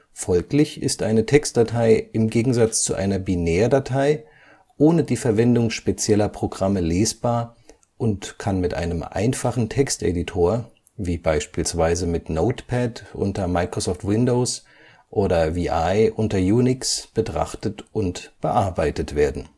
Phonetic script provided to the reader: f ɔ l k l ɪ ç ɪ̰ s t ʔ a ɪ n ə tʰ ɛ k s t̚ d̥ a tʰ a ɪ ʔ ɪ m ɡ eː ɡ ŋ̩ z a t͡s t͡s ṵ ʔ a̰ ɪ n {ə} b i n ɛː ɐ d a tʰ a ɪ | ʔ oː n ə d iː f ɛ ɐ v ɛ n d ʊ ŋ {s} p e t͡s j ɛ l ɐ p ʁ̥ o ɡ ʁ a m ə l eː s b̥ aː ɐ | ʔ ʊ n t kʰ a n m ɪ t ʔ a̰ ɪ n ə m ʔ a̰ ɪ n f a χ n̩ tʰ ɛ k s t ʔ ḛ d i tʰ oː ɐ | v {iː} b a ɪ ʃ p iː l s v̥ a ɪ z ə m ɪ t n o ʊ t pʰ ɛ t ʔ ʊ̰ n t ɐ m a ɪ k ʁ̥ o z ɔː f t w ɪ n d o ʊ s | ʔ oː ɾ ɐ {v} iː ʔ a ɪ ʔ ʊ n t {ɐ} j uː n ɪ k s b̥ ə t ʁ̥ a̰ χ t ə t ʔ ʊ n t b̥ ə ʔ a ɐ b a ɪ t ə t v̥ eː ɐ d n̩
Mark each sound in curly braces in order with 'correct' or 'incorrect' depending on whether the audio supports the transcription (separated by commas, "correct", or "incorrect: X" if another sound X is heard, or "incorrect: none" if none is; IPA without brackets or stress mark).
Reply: incorrect: ɐ, incorrect: ʃ, correct, correct, correct